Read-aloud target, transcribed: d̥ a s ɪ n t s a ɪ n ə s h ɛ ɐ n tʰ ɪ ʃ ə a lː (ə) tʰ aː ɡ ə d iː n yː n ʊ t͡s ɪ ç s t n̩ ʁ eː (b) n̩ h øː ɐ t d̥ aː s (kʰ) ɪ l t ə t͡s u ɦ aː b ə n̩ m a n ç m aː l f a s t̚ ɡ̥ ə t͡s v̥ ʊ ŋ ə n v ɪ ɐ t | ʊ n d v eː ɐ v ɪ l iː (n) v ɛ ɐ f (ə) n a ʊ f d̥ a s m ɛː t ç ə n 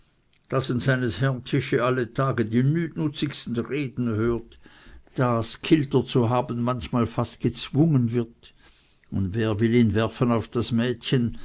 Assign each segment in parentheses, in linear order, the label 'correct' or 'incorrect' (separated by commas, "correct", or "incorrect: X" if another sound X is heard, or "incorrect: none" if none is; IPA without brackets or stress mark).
correct, incorrect: d, correct, correct, correct